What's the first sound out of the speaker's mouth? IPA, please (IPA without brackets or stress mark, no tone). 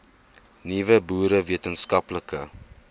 n